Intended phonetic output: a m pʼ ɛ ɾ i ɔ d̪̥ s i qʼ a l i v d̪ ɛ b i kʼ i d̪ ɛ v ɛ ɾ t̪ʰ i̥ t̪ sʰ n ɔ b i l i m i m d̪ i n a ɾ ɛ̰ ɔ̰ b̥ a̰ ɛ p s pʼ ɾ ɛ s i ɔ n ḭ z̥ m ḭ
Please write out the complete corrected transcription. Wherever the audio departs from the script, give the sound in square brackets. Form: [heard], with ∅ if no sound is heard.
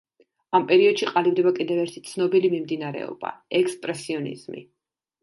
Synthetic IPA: a m pʼ ɛ ɾ i ɔ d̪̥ [ʃ] i qʼ a l i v d̪ ɛ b [a] kʼ i d̪ ɛ v ɛ ɾ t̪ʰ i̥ t̪ sʰ n ɔ b i l i m i m d̪ i n a ɾ ɛ̰ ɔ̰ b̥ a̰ ɛ [k] s pʼ ɾ ɛ s i ɔ n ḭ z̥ m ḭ